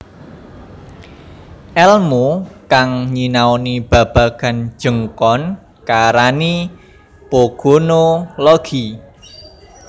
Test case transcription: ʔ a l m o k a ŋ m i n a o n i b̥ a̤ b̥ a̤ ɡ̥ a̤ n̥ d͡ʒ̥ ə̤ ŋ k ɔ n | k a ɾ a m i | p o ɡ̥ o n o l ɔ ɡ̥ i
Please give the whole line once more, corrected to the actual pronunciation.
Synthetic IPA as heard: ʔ ɛ l m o k a ŋ ɲ i n a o n i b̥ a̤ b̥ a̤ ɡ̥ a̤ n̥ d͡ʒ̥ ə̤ ŋ k ɔ n | k a ɾ a n i | p o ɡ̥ o n o l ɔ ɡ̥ i